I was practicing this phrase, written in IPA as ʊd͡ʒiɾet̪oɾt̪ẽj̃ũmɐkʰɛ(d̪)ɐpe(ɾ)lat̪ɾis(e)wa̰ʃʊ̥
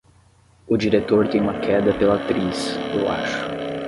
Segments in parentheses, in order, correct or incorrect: correct, incorrect, correct

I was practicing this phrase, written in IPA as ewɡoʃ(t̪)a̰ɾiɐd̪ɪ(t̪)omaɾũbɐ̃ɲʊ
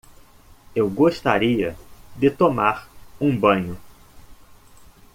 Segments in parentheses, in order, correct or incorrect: correct, correct

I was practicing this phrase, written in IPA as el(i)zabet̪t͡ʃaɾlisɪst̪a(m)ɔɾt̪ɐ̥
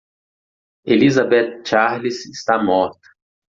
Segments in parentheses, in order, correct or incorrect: correct, correct

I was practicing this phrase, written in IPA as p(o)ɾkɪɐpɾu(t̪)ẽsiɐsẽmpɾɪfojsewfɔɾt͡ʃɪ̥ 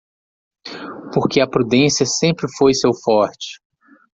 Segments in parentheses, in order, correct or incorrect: correct, incorrect

